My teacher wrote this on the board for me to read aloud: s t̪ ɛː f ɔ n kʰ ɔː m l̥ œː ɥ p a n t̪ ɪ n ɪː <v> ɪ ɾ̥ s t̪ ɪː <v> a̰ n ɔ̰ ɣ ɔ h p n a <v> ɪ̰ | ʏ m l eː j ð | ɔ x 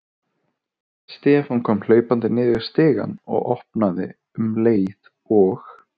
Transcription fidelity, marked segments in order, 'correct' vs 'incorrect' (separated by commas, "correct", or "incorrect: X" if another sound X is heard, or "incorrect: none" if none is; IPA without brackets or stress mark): incorrect: ð, incorrect: ɣ, incorrect: ð